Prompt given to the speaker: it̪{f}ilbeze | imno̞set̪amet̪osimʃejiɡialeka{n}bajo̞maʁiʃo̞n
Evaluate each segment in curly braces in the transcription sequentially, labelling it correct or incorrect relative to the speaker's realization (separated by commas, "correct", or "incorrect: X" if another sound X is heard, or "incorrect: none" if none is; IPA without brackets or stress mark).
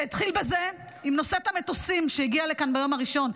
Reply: incorrect: χ, correct